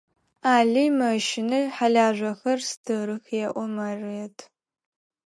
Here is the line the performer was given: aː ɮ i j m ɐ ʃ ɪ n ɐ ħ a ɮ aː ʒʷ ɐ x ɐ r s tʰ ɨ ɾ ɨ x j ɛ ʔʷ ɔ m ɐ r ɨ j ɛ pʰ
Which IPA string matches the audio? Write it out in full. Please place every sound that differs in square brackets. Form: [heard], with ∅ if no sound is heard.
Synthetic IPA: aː ɮ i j m ɐ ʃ ɪ n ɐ ħ a ɮ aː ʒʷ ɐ x ɐ r s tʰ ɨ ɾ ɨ x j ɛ ʔʷ ɔ m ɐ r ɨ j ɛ [tʰ]